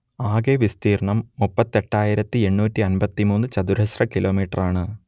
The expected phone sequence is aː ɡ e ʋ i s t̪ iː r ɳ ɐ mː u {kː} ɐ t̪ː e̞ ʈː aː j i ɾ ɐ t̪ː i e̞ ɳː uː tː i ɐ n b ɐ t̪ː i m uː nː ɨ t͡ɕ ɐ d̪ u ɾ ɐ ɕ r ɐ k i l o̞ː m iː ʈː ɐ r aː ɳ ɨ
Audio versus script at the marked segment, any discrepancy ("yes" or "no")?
yes